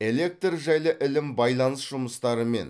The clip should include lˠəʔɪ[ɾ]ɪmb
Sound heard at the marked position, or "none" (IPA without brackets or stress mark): l